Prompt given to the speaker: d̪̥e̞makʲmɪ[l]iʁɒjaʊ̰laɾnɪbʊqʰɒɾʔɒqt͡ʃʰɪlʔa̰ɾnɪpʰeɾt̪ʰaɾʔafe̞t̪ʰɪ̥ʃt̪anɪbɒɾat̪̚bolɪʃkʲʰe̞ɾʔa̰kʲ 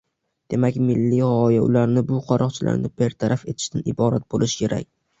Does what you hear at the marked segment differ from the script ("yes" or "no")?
yes